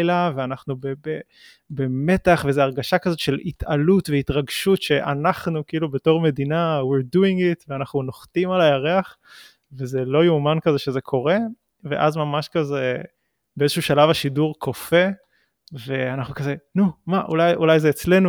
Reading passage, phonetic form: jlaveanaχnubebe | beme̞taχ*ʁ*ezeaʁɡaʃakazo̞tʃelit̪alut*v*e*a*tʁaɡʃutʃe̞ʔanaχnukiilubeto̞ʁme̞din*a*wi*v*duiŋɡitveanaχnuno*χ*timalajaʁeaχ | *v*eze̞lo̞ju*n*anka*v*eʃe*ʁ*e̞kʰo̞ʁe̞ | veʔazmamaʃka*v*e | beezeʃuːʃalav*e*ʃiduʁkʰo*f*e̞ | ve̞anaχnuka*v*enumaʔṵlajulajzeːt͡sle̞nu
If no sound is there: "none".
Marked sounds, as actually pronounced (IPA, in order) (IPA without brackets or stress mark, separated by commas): v, v, i, a, ʁ, χ, v, m, z, z, z, a, f, z